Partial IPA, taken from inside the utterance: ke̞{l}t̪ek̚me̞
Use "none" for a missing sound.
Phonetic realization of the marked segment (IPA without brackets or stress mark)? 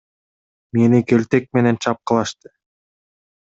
l